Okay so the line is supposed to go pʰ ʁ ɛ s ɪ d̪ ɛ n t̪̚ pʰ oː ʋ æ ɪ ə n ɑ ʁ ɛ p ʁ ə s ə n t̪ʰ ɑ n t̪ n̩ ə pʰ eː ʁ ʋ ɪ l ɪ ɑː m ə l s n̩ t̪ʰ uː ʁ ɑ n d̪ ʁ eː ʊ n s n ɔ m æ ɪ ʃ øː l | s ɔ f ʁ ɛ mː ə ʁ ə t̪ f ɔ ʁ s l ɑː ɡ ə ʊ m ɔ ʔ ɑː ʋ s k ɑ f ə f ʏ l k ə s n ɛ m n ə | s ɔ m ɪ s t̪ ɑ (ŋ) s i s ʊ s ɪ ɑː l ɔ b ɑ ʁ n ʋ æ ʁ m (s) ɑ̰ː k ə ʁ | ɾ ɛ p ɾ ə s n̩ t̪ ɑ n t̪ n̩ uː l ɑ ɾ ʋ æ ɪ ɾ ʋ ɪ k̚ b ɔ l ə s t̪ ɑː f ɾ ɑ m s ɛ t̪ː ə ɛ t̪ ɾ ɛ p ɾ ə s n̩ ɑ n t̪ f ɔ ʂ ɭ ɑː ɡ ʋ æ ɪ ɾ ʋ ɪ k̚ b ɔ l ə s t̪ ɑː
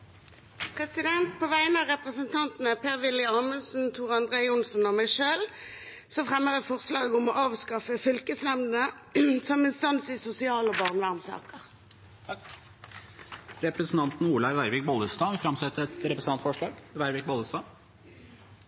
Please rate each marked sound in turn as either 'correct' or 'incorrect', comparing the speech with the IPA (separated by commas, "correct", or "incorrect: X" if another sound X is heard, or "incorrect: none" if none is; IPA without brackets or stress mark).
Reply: incorrect: n, correct